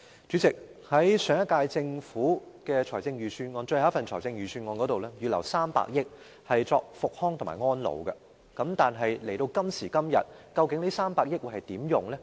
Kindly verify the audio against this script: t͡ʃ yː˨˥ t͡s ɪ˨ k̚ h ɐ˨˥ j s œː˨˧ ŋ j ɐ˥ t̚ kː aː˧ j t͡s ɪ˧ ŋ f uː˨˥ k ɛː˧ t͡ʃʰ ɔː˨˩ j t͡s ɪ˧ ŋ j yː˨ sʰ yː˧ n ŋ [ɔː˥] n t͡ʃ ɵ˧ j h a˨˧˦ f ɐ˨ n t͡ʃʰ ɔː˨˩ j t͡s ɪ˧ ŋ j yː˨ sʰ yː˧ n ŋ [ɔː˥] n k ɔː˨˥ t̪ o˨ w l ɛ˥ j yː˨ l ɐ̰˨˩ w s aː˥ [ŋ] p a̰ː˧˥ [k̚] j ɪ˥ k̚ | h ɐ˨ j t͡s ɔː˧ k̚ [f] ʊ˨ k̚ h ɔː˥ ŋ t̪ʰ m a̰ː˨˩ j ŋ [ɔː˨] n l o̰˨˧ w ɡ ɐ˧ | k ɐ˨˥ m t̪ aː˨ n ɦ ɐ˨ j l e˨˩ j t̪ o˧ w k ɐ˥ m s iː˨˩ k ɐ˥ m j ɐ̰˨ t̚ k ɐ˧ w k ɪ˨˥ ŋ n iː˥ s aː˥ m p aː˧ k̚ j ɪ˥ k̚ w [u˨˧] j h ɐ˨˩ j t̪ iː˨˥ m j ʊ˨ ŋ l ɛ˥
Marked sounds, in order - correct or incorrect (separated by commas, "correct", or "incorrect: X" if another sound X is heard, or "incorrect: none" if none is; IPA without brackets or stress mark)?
incorrect: ɔː˧, incorrect: ɔː˧, incorrect: m, correct, correct, incorrect: ɔː˥, correct